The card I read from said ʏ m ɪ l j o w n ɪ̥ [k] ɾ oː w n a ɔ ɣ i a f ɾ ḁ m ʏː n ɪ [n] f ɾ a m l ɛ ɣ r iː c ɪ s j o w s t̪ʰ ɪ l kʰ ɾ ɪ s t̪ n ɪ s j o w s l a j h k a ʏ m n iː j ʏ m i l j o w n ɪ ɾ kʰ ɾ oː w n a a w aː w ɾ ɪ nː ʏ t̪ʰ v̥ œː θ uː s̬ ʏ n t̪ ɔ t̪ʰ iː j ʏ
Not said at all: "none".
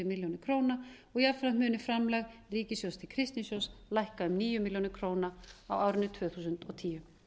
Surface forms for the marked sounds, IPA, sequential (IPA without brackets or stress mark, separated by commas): kʰ, none